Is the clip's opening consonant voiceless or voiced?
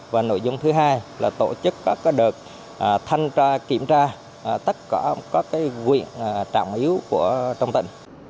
voiced